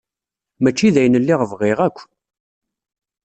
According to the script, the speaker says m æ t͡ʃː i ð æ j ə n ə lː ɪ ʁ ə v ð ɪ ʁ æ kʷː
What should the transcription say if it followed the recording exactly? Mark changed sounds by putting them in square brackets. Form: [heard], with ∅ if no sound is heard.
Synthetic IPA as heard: m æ t͡ʃː i ð æ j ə n ə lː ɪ ʁ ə v [ʁ] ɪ ʁ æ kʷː